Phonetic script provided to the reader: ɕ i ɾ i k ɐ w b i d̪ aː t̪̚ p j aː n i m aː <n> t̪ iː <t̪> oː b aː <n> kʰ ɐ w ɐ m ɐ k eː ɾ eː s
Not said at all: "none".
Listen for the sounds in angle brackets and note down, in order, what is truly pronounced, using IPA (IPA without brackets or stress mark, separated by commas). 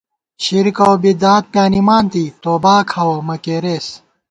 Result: n, t̪, none